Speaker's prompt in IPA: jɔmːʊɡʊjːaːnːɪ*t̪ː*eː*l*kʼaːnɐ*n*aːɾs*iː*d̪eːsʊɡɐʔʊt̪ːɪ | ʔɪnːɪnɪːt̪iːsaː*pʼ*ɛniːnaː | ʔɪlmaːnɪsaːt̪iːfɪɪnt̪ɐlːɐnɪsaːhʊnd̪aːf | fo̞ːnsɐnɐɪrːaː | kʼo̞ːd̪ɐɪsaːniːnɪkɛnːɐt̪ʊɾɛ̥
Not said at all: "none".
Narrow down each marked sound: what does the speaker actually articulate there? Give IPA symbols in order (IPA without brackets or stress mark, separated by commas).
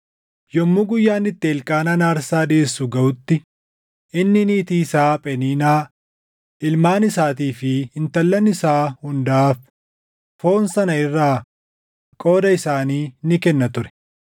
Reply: t̪ː, l, n, aː, pʼ